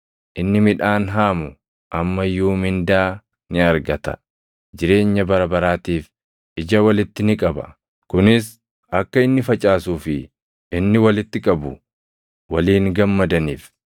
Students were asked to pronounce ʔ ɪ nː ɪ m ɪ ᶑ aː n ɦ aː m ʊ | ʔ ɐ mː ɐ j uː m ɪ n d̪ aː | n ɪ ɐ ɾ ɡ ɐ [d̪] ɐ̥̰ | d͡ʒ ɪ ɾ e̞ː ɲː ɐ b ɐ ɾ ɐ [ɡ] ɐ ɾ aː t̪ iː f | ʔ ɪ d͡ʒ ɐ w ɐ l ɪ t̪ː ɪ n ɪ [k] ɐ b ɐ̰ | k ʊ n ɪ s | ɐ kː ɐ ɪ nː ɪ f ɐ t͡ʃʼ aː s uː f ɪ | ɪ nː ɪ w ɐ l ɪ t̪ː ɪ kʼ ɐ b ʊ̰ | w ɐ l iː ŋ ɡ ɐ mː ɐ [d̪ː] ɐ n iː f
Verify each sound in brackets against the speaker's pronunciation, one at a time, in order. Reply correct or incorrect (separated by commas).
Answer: incorrect, incorrect, incorrect, incorrect